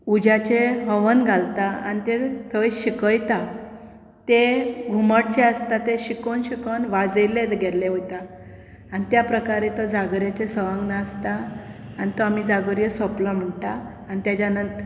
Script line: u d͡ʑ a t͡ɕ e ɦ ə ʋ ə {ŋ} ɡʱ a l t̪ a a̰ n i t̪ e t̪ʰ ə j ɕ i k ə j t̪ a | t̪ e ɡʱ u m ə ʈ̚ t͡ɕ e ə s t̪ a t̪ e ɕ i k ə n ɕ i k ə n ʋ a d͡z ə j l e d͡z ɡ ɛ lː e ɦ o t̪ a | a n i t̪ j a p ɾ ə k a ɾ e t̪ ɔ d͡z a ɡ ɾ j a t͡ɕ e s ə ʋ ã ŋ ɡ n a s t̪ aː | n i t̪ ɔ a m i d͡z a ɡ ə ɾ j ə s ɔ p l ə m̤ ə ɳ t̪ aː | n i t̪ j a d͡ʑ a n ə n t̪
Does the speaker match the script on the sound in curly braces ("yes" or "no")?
no